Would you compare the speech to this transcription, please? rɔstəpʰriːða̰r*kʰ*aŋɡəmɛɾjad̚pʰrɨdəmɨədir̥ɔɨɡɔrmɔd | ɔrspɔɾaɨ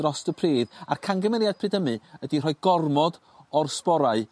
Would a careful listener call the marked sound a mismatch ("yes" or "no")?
no